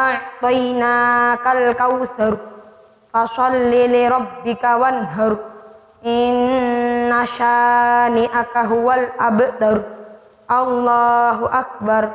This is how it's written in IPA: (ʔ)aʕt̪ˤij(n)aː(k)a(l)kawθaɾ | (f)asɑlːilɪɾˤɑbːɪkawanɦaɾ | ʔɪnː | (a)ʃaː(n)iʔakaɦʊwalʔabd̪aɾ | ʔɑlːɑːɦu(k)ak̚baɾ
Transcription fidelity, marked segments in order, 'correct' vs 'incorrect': correct, correct, correct, correct, correct, correct, correct, incorrect: ʔ

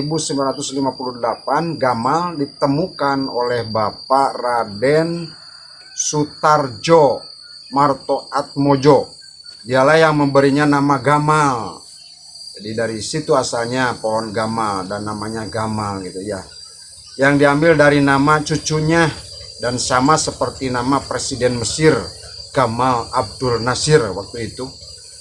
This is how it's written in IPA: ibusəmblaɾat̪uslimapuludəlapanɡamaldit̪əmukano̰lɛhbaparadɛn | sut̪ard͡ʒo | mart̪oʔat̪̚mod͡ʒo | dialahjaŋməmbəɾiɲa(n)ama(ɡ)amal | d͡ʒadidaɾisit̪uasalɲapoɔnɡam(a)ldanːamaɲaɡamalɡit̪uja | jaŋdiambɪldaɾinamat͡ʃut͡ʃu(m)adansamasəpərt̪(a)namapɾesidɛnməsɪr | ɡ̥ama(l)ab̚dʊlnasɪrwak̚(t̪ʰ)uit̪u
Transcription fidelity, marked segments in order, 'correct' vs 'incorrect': correct, correct, correct, incorrect: ɲ, incorrect: i, correct, incorrect: t̪

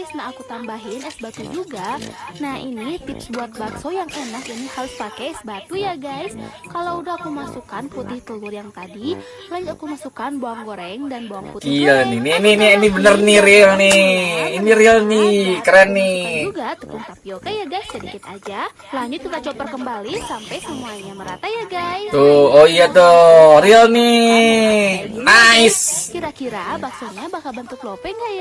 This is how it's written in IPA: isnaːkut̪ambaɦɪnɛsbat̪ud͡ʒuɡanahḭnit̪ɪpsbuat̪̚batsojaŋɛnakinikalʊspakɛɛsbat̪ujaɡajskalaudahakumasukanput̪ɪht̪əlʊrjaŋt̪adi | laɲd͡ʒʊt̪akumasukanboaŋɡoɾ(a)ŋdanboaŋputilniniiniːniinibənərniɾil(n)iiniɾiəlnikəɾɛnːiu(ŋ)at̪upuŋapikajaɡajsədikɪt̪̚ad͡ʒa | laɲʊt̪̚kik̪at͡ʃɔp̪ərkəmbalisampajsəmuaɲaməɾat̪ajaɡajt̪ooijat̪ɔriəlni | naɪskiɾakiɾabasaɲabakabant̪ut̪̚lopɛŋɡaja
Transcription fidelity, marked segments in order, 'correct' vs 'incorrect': incorrect: ɛ, correct, incorrect: ɡ

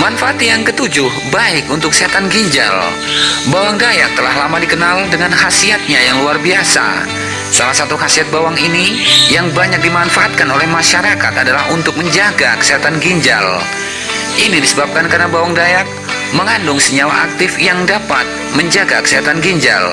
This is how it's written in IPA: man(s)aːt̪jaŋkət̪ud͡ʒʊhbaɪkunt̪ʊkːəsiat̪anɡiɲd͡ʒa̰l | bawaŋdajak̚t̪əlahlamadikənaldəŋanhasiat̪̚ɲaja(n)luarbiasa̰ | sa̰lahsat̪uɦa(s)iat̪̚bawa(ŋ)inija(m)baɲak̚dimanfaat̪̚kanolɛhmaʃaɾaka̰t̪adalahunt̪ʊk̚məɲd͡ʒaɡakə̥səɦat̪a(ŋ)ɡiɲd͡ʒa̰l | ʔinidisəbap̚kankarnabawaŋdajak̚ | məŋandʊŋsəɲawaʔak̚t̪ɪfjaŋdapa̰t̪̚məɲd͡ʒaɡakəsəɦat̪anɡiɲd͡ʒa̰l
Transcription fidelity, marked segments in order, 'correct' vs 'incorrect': incorrect: f, incorrect: ŋ, correct, correct, incorrect: ŋ, incorrect: n

